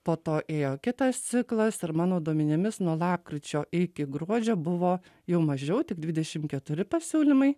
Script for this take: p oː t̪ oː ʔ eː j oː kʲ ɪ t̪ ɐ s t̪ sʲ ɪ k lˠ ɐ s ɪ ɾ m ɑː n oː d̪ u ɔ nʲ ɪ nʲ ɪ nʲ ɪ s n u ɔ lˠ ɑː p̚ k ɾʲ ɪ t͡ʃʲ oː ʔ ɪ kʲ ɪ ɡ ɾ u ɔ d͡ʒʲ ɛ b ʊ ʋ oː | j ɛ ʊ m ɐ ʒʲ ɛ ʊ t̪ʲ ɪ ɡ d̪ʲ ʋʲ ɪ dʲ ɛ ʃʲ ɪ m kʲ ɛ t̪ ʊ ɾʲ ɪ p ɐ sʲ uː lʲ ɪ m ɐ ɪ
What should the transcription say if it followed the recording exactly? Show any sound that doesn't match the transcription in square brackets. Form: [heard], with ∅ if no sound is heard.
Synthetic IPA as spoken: p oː t̪ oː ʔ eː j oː kʲ ɪ t̪ ɐ s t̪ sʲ ɪ k lˠ ɐ s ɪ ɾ m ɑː n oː d̪ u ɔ [mʲ] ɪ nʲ ɪ [mʲ] ɪ s n u ɔ lˠ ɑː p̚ k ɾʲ ɪ t͡ʃʲ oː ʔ ɪ kʲ ɪ ɡ ɾ u ɔ d͡ʒʲ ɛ b ʊ ʋ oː | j ɛ ʊ m ɐ ʒʲ ɛ ʊ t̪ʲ ɪ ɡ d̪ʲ ʋʲ ɪ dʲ ɛ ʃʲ ɪ m kʲ ɛ t̪ ʊ ɾʲ ɪ p ɐ sʲ uː lʲ ɪ m ɐ ɪ